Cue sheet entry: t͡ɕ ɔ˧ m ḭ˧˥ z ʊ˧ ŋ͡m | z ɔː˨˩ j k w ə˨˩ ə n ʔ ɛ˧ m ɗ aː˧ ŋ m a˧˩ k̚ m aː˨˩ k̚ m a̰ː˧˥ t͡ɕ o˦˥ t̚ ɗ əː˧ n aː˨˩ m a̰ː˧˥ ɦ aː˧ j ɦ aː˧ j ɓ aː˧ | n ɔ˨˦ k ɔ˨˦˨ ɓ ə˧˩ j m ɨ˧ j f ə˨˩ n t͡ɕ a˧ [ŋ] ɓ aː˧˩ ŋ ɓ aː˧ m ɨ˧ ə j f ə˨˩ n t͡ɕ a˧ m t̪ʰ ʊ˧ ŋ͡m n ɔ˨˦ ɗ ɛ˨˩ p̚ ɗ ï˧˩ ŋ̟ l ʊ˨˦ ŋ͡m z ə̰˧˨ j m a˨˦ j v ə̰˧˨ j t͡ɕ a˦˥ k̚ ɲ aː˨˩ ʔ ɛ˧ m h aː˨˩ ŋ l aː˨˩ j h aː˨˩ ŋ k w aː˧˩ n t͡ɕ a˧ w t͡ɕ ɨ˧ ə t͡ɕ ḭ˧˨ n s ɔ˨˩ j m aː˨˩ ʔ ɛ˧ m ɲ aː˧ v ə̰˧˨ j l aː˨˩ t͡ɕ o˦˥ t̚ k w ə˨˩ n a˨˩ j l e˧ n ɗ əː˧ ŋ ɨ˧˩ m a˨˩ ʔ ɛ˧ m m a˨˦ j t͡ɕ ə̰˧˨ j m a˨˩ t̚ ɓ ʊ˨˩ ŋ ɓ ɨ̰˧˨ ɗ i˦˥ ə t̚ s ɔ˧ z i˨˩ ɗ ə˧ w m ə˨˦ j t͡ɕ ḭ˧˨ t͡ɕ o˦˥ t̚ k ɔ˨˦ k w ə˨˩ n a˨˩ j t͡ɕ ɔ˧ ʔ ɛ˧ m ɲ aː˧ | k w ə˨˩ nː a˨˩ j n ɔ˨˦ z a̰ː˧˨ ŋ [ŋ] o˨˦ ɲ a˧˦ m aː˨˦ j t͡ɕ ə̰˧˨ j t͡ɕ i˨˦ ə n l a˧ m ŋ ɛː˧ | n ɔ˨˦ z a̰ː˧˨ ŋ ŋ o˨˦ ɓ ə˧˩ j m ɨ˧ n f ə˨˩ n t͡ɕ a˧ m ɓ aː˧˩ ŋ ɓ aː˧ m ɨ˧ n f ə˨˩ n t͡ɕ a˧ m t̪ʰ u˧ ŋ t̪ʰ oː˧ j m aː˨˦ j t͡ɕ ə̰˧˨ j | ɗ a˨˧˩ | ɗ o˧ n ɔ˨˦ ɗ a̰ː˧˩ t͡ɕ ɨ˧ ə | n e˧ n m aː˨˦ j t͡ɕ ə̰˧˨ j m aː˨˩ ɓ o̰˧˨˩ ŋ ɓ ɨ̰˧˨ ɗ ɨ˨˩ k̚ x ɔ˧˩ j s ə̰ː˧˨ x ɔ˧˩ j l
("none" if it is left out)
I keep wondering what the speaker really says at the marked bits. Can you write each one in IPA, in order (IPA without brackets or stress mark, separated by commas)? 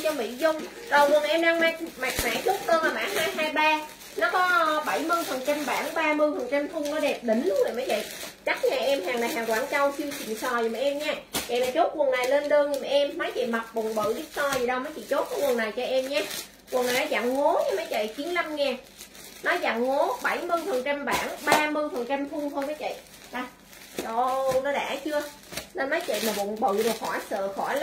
m, ŋ